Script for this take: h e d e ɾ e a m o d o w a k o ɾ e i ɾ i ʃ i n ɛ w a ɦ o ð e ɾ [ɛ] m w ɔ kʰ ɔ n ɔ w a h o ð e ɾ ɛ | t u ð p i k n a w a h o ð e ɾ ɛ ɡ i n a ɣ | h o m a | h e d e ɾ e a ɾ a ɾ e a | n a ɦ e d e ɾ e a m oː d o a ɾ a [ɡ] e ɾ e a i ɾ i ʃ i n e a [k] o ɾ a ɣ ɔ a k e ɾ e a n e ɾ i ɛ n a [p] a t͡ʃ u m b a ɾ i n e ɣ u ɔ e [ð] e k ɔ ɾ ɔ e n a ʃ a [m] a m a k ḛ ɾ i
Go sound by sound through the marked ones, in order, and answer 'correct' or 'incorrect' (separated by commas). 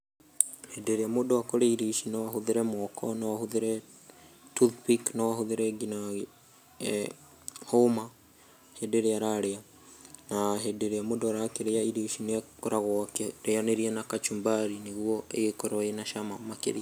correct, incorrect, correct, incorrect, incorrect, correct